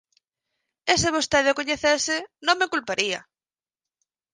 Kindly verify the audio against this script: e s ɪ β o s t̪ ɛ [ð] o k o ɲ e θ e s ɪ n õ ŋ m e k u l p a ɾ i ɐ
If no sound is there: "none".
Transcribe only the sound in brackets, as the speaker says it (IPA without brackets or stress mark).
ð